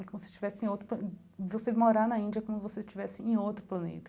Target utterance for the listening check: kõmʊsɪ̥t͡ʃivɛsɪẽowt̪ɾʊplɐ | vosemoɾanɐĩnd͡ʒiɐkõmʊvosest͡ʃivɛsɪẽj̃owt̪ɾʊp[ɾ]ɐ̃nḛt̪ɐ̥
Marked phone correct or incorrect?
incorrect